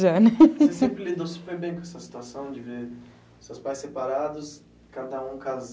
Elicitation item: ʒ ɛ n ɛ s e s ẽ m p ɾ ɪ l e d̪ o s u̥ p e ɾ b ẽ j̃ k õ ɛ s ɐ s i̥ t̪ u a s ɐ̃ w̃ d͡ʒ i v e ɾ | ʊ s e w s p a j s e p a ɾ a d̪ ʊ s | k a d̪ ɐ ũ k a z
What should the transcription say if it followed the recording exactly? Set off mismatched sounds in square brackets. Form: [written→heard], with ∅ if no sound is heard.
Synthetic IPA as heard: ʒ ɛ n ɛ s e s ẽ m p ɾ ɪ l [e→i] d̪ o s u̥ p e ɾ b ẽ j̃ k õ ɛ s ɐ s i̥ t̪ u a s ɐ̃ w̃ d͡ʒ [i→ɪ] v e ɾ | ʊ s e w s p a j s e p a ɾ a d̪ ʊ s | k a d̪ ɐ ũ k a z